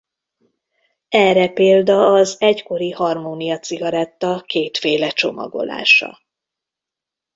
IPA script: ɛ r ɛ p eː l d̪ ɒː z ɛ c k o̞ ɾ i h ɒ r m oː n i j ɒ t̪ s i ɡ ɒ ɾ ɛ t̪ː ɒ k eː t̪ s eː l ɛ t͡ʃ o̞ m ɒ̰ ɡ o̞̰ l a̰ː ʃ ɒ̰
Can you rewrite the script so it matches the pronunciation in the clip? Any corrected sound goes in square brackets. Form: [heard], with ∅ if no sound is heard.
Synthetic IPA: ɛ r ɛ p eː l d̪ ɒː z ɛ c k o̞ ɾ i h ɒ r m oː n i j ɒ t̪ s i ɡ ɒ ɾ ɛ t̪ː ɒ k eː t̪ [f] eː l ɛ t͡ʃ o̞ m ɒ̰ ɡ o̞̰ l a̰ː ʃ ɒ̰